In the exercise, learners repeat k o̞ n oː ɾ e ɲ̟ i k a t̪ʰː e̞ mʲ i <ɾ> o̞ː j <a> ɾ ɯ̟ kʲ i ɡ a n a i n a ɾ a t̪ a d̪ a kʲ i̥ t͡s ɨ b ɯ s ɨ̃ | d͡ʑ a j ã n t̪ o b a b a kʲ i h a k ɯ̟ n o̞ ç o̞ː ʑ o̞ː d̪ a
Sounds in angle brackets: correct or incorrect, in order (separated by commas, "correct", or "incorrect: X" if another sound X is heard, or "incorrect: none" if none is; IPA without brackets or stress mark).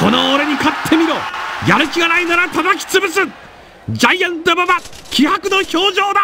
correct, correct